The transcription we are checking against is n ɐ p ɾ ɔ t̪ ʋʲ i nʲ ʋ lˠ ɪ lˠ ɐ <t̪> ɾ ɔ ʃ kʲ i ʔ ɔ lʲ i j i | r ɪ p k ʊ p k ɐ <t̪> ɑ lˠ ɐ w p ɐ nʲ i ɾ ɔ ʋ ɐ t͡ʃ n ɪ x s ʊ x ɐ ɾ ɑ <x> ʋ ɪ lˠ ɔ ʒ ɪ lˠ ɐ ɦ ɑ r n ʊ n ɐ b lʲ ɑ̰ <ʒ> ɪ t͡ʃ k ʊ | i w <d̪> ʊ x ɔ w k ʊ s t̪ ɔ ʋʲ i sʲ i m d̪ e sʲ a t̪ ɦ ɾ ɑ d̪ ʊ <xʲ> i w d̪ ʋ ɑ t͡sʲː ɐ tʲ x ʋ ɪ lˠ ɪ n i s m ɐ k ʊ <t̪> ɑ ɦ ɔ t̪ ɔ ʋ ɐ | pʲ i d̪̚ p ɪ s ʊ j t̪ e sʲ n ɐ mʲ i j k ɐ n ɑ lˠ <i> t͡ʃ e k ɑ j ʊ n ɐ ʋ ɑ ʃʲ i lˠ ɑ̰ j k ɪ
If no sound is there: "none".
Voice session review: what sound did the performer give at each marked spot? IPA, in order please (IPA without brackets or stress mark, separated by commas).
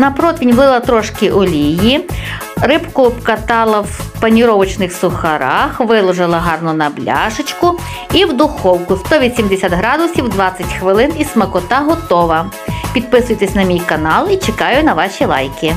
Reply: t̪, t̪, x, ʒ, d̪, sʲ, t̪, i